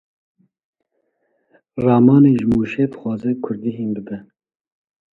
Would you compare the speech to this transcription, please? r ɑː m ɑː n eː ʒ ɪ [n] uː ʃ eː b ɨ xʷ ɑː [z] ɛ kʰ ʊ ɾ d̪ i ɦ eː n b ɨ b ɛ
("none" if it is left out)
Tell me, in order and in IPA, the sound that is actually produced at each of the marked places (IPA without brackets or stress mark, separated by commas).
m, z